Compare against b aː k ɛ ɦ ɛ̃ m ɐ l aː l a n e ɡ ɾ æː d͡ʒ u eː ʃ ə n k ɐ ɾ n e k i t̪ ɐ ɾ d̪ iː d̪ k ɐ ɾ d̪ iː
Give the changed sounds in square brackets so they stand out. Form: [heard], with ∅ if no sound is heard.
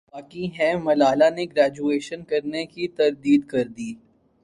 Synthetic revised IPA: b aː k [i] ɦ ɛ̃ m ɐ l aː l a n e ɡ ɾ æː d͡ʒ u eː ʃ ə n k ɐ ɾ n e k i t̪ ɐ ɾ d̪ iː d̪ k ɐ ɾ d̪ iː